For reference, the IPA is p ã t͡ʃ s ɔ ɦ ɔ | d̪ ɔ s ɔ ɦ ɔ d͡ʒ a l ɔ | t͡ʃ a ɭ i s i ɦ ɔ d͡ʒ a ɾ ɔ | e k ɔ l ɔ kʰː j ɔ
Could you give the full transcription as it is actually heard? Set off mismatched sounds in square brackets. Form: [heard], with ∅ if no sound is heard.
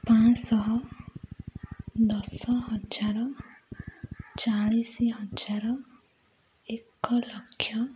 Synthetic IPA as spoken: p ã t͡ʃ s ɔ ɦ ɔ | d̪ ɔ s ɔ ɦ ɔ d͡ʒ a [ɾ] ɔ | t͡ʃ a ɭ i s i ɦ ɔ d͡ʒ a ɾ ɔ | e k ɔ l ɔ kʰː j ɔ